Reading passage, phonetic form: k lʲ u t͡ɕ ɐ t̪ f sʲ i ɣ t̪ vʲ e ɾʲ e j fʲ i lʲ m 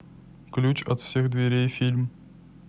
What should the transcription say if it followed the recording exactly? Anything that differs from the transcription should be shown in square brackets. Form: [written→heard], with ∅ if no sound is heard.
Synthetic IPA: k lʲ u t͡ɕ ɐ t̪ f sʲ [i→e] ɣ [t̪→d̪] vʲ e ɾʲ e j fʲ i lʲ m